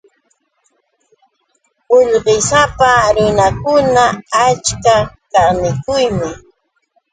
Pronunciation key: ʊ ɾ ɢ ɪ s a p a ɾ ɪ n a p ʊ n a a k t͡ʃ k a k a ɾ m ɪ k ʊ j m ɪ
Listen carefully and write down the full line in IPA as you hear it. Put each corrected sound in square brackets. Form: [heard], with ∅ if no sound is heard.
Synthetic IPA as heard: ʊ [ʎ] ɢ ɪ s a p a ɾ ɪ n a [k] ʊ n a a [∅] t͡ʃ k a k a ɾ [n] ɪ k ʊ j m ɪ